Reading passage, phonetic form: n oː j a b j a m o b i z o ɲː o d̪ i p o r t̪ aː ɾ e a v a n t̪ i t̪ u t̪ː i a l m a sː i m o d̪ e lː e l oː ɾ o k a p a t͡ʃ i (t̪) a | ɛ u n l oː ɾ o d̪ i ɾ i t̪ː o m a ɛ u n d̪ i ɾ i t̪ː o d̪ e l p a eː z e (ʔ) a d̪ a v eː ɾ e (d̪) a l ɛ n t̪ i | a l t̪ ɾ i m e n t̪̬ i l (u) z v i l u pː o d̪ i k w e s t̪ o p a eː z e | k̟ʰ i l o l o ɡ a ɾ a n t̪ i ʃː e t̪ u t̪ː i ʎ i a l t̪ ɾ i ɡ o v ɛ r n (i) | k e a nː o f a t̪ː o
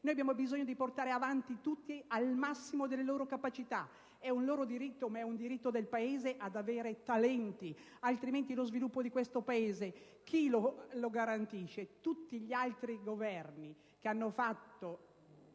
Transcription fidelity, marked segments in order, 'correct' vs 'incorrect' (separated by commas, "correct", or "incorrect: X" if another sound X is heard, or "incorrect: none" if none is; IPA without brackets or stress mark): correct, correct, incorrect: t̪, incorrect: o, correct